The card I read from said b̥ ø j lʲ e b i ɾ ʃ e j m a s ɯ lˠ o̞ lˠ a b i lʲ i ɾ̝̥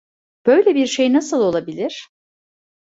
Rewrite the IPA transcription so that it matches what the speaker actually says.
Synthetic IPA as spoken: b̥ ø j lʲ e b i ɾ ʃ e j n a s ɯ lˠ o̞ lˠ a b i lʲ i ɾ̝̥